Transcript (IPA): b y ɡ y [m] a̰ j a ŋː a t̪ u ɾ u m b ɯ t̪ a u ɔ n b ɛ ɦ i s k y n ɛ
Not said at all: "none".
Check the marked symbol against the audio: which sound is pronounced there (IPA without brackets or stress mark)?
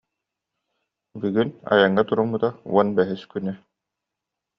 n